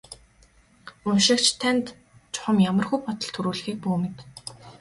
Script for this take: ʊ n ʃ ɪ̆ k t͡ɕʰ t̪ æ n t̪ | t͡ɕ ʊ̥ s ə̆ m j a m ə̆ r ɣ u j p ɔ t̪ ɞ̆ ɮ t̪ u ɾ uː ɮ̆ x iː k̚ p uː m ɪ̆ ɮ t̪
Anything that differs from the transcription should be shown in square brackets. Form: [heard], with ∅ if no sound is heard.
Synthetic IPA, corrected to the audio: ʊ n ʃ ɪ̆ k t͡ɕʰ [t̪ʰ] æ n t̪ | t͡ɕ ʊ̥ [χ] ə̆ m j a m ə̆ r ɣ u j p ɔ t̪ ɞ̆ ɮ [t̪ʰ] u ɾ uː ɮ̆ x iː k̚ p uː m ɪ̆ [∅] t̪

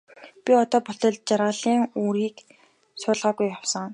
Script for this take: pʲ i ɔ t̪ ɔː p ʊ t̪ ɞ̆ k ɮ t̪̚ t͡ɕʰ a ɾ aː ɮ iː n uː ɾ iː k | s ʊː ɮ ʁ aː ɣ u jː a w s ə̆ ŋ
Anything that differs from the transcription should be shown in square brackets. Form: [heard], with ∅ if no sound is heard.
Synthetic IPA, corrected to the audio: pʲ i ɔ t̪ ɔː p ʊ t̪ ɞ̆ [∅] ɮ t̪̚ [t͡ɕ] a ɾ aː ɮ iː [ŋ] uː ɾ iː k | s ʊː ɮ ʁ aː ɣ u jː a w s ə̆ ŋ

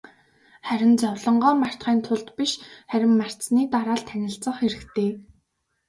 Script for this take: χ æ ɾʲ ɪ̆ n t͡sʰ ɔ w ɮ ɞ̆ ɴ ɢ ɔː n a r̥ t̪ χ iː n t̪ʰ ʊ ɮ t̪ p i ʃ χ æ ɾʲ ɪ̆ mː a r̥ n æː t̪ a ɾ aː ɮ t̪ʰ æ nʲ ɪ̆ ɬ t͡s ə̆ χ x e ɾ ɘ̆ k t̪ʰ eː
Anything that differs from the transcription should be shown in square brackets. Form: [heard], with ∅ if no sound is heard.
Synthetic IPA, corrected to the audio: χ æ ɾʲ ɪ̆ n [t͡s] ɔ w ɮ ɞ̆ ɴ ɢ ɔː [m] a r̥ t̪ χ iː n t̪ʰ ʊ ɮ t̪ p i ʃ χ æ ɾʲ ɪ̆ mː a r̥ n [iː] t̪ a ɾ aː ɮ t̪ʰ æ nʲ ɪ̆ ɬ t͡s ə̆ χ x e ɾ ɘ̆ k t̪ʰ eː

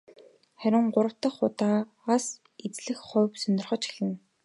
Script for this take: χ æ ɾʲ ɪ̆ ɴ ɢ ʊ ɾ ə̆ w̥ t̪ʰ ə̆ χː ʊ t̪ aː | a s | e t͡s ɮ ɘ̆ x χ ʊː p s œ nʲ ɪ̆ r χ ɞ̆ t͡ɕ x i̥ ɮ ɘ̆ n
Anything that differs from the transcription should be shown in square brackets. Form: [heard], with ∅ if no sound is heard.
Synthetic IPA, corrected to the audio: χ æ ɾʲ ɪ̆ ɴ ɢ ʊ ɾ ə̆ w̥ [t̪] ə̆ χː ʊ t̪ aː | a s | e t͡s ɮ ɘ̆ x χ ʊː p s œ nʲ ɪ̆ r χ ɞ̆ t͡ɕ x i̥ ɮ ɘ̆ n

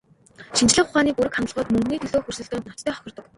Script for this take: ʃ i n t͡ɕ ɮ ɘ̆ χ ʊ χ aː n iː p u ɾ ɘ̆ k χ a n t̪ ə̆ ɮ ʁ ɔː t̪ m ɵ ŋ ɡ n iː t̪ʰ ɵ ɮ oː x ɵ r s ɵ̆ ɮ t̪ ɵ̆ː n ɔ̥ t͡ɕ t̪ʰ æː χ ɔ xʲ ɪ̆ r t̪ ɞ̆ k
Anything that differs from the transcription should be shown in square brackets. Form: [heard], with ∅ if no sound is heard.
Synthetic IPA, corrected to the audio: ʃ i n t͡ɕ ɮ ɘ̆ χ ʊ χ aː n iː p u ɾ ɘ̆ k χ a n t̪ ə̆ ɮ ʁ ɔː t̪ m ɵ ŋ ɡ n iː t̪ʰ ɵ ɮ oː x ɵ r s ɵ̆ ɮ t̪ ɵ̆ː n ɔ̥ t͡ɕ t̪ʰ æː χ ɔ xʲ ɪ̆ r t̪ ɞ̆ k

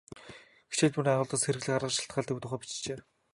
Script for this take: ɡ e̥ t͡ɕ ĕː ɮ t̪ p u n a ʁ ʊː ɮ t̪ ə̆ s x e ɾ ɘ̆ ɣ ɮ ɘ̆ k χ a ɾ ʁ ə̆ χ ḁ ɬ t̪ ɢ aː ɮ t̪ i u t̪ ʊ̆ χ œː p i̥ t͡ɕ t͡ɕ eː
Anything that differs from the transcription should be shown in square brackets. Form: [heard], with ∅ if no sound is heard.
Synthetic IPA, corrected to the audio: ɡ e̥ t͡ɕ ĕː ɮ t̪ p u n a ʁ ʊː ɮ t̪ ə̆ s x e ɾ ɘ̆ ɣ ɮ ɘ̆ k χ a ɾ ʁ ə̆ [ʃ] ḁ ɬ t̪ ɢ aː ɮ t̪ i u t̪ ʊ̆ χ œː p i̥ t͡ɕ t͡ɕ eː

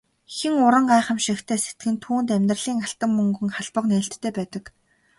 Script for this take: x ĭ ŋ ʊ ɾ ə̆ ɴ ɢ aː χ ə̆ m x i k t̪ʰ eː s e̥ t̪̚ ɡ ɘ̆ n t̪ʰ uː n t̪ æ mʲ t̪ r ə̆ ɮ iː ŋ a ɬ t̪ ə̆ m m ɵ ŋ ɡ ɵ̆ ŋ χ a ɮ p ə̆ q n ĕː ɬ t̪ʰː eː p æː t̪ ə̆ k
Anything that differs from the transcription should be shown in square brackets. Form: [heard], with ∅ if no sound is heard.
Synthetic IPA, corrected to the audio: x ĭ ŋ ʊ ɾ ə̆ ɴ ɢ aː χ ə̆ m [ʃ] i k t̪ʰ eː s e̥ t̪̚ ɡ ɘ̆ n t̪ʰ uː n t̪ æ mʲ t̪ r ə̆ ɮ iː ŋ a ɬ t̪ ə̆ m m ɵ ŋ ɡ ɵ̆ ŋ χ a ɮ p ə̆ q n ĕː ɬ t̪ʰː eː p æː t̪ ə̆ k

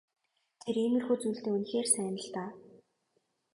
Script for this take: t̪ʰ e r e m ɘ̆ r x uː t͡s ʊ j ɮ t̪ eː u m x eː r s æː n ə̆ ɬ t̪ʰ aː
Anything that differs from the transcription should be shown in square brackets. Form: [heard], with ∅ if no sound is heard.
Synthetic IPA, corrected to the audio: t̪ʰ e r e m ɘ̆ r x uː t͡s [u] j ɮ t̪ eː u [n] x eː r s æː n ə̆ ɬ [t̪] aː

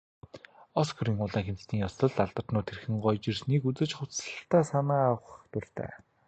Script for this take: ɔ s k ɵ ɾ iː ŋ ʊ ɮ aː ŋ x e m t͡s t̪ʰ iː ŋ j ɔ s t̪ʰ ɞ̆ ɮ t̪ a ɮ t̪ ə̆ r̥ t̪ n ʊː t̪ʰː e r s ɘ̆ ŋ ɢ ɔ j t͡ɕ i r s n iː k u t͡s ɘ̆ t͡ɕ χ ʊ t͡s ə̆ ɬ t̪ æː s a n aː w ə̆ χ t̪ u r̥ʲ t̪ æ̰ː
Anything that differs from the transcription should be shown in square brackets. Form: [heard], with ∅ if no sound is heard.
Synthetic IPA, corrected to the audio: ɔ s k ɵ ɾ iː ŋ ʊ ɮ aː ŋ x e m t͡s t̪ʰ iː ŋ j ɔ s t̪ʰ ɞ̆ ɮ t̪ a ɮ t̪ ə̆ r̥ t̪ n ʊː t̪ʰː e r [x] ɘ̆ ŋ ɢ ɔ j t͡ɕ i r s n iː k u t͡s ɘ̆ t͡ɕ χ ʊ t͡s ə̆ ɬ t̪ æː s a n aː w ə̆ χ t̪ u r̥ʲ t̪ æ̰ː

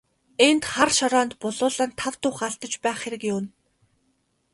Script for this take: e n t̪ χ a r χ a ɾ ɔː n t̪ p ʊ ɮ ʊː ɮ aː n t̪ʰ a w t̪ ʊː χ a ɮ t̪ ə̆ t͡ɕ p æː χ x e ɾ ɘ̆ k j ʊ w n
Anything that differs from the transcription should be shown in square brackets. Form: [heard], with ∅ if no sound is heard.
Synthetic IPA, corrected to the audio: e n t̪ χ a r [ʃ] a ɾ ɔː n t̪ p ʊ ɮ ʊː ɮ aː n t̪ʰ a w t̪ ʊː χ a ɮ t̪ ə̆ t͡ɕ p æː χ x e ɾ ɘ̆ k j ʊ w n

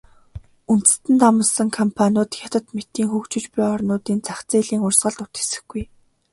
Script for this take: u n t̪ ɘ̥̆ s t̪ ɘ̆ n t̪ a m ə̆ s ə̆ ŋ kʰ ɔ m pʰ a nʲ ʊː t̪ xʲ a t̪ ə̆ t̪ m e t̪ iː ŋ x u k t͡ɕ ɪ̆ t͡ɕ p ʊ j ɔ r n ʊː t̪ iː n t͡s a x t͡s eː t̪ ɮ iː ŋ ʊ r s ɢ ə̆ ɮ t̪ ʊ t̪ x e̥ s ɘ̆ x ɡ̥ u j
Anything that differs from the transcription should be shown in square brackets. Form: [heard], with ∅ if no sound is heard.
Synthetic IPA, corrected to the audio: u n t̪ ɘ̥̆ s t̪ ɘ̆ n t̪ a m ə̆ s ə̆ ŋ kʰ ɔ m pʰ a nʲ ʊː t̪ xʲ a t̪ ə̆ t̪ m e t̪ iː ŋ x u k t͡ɕ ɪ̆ t͡ɕ p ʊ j ɔ r n ʊː t̪ iː n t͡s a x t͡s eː [∅] ɮ iː ŋ ʊ r s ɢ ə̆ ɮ t̪ ʊ t̪ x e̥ s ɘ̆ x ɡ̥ u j

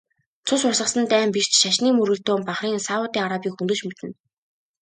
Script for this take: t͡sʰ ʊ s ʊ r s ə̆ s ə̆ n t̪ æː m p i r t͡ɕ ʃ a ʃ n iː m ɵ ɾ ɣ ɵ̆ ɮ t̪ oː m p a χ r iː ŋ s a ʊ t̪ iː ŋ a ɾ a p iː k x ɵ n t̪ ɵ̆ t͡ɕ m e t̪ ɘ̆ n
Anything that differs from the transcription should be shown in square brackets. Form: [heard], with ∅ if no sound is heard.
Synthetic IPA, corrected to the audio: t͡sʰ ʊ s ʊ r s ə̆ s ə̆ n t̪ æː m p i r t͡ɕ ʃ a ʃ n iː m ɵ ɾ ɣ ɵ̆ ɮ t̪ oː m p a χ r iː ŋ s a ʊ t̪ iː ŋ a ɾ a p iː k x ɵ n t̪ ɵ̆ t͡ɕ m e t̪ ɘ̆ n

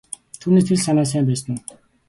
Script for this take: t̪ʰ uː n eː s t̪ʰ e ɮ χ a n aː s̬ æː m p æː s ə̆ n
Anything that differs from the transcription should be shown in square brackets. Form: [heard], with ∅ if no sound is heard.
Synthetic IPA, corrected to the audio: t̪ʰ uː n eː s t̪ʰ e ɮ [s] a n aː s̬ æː m p æː s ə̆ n

